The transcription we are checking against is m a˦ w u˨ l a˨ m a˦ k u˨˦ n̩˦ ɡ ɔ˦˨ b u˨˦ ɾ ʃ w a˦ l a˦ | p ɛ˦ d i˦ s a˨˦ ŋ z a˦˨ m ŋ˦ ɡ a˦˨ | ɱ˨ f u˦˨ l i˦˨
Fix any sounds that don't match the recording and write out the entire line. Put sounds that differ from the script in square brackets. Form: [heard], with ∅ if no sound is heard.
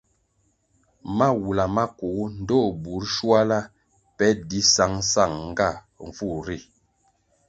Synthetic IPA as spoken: m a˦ w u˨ l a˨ m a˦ k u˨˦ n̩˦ [d] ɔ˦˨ b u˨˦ ɾ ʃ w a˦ l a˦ | p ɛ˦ d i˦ s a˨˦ ŋ [s] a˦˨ [ŋ] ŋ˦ ɡ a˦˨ | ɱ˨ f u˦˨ [ɾ] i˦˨